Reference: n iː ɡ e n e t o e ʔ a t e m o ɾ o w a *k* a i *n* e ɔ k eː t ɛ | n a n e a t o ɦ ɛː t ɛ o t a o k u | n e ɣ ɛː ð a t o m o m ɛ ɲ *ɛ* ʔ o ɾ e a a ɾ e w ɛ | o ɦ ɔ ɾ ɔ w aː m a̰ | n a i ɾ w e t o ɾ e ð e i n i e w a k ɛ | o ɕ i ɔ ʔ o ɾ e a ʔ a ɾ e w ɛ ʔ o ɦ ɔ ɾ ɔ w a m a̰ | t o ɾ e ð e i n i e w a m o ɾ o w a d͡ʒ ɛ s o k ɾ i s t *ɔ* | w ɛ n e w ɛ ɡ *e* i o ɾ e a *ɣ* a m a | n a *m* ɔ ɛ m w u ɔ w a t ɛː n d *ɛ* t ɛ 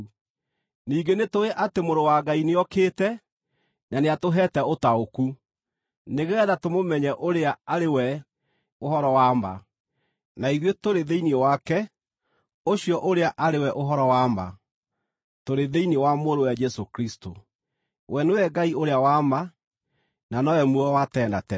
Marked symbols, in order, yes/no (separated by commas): no, yes, yes, no, no, no, no, no